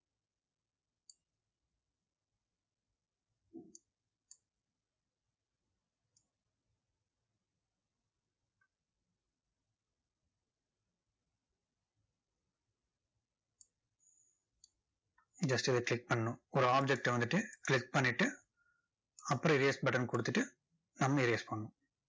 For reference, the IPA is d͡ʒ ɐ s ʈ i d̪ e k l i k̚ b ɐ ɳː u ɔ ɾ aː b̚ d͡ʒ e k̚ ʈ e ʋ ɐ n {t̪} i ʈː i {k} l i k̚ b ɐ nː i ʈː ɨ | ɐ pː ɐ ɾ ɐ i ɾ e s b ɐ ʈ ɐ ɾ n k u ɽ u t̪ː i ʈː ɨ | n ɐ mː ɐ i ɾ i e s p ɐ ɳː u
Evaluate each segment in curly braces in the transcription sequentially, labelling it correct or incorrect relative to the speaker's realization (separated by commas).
incorrect, correct